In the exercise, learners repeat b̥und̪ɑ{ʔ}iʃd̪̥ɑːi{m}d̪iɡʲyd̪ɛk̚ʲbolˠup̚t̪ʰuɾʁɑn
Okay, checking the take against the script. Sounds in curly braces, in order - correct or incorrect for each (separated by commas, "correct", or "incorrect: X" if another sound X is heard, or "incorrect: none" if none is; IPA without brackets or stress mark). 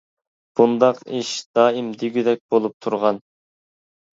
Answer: incorrect: q, correct